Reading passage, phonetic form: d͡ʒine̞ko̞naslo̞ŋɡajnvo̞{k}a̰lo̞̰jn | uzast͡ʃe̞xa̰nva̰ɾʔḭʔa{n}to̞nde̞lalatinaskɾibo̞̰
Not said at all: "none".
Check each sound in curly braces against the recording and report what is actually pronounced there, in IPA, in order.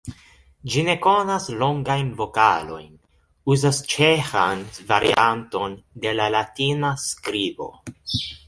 k, n

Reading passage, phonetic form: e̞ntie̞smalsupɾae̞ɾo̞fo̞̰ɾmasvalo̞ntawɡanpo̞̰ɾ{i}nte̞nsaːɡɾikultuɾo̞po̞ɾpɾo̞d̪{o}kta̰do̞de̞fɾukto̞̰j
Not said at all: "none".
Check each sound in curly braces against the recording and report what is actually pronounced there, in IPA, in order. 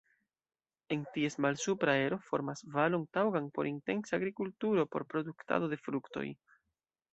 i, u

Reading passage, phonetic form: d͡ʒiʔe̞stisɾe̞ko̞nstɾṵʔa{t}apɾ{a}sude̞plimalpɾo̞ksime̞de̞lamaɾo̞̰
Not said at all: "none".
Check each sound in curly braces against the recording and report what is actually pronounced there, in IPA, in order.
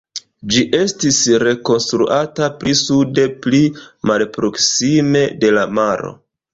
t, i

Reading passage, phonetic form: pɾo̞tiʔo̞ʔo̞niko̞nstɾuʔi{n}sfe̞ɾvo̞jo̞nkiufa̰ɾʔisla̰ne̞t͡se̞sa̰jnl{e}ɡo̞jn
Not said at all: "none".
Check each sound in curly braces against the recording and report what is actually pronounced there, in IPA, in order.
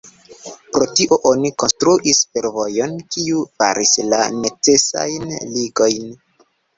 none, i

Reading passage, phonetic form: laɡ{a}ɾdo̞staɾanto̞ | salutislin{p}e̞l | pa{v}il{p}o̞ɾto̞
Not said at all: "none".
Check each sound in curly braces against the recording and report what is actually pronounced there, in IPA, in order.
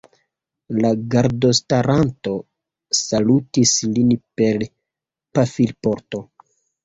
a, p, f, p

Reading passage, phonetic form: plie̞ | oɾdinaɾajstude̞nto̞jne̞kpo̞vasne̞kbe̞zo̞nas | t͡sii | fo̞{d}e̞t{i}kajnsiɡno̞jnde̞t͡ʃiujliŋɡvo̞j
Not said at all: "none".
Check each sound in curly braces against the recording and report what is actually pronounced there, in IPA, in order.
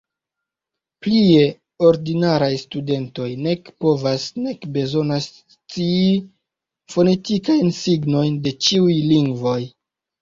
n, i

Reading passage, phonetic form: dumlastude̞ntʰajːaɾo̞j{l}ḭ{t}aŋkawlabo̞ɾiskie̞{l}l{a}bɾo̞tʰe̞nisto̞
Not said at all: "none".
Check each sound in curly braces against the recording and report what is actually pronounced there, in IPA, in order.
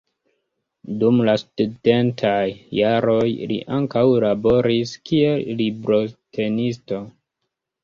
l, ʔ, l, i

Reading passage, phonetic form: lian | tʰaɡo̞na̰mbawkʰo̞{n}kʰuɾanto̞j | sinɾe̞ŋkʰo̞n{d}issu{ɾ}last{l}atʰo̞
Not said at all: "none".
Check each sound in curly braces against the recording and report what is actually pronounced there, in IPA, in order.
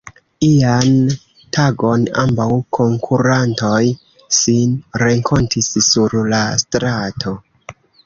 ŋ, t, ɾ, ɾ

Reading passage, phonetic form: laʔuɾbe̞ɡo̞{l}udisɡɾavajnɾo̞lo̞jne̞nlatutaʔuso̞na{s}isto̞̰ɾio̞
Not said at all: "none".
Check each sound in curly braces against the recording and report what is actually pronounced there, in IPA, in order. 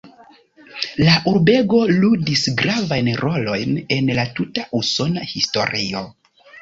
l, h

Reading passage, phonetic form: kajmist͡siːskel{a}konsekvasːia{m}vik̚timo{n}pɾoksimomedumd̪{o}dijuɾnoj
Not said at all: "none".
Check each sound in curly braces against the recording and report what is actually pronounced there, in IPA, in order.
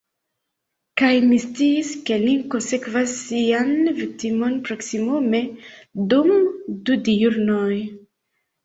i, n, n, u

